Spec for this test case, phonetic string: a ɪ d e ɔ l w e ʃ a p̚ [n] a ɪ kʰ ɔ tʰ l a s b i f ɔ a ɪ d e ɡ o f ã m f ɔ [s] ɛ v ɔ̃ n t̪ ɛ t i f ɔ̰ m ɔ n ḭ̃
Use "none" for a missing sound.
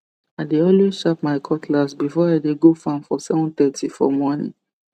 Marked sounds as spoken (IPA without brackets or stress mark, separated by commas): m, s